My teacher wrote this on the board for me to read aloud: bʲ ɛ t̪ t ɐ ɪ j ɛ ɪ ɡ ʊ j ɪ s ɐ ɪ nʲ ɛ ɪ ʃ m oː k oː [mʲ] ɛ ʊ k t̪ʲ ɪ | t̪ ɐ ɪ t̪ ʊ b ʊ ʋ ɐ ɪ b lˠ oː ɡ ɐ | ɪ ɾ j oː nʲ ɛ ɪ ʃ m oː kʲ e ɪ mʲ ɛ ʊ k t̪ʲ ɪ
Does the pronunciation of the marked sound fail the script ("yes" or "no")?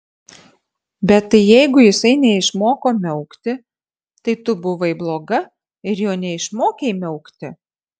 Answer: no